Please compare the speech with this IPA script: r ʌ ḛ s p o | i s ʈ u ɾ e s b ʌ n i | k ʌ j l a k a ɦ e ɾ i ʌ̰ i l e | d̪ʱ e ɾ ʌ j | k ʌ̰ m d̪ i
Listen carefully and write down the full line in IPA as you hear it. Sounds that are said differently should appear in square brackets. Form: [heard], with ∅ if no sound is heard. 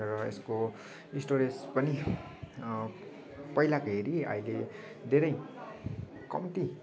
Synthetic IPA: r ʌ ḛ s [k] o | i s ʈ [o] ɾ e s [p] ʌ n i | [p] ʌ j l a k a ɦ e ɾ i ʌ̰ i l e | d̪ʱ e ɾ ʌ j | k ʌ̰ m [t̪] i